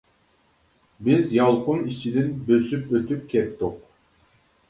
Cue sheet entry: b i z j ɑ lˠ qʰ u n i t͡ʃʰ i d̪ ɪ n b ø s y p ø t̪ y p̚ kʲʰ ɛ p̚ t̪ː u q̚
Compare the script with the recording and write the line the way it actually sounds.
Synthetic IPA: b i z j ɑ lˠ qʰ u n i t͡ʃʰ i d̪ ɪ n b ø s y p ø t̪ y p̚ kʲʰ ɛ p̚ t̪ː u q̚